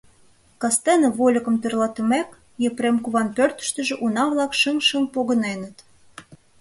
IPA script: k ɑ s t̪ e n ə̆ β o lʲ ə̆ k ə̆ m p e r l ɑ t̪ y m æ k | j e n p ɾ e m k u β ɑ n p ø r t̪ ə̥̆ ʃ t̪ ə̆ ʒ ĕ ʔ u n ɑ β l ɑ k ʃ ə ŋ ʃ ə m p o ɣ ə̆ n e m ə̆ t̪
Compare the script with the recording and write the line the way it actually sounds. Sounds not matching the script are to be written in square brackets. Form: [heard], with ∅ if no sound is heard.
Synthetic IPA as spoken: k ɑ s t̪ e n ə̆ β o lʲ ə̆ k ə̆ m p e r l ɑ t̪ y m æ k | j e [∅] p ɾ e m k u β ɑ n p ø r t̪ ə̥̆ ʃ t̪ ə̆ ʒ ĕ ʔ u n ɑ β l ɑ k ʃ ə ŋ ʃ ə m p o ɣ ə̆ n e [n] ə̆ t̪